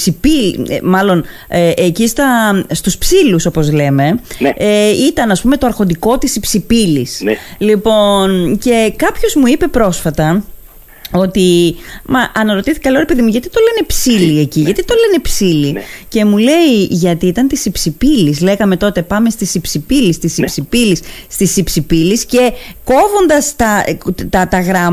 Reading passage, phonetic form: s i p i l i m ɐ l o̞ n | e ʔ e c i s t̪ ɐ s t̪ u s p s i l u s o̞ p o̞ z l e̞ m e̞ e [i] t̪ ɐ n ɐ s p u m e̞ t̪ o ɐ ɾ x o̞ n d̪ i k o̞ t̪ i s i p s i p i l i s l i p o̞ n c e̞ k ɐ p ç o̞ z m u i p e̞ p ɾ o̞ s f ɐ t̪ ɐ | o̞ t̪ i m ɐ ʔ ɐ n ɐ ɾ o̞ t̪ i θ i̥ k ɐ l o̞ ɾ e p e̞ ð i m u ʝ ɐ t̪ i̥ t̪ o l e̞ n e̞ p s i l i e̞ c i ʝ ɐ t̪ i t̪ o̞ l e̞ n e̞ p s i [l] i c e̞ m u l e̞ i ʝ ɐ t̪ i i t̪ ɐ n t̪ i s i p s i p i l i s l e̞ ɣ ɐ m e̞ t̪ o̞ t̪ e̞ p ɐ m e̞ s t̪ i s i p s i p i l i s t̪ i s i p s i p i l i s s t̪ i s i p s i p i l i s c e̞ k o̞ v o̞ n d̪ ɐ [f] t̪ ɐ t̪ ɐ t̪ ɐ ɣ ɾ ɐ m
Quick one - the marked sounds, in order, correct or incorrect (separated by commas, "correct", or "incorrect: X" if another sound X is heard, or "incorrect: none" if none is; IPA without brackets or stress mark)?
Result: correct, correct, incorrect: s